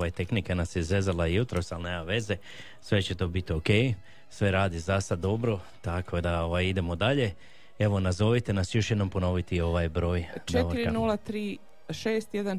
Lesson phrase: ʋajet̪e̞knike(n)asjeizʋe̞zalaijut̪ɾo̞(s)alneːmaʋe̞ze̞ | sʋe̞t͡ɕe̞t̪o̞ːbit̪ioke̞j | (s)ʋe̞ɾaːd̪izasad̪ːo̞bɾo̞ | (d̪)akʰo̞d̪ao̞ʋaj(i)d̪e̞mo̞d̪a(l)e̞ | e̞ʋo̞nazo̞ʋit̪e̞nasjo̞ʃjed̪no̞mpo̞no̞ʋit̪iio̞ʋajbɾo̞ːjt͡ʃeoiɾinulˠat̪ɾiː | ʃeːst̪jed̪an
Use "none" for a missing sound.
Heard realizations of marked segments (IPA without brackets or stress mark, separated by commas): n, s, s, t̪, i, ʎ